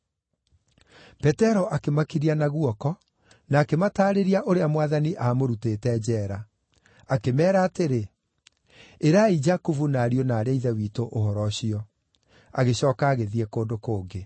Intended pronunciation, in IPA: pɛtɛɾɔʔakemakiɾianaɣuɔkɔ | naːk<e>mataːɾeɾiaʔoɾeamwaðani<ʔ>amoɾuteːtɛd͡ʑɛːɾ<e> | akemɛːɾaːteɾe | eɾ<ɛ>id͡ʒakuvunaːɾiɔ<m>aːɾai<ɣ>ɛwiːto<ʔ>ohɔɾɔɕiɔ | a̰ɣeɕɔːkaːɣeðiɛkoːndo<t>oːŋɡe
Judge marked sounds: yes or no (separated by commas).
yes, yes, no, no, no, no, yes, no